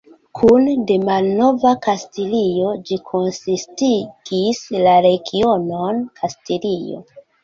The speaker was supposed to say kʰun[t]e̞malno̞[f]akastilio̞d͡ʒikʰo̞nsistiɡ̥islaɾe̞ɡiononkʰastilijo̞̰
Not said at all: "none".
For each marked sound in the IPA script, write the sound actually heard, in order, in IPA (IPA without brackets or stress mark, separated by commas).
d, v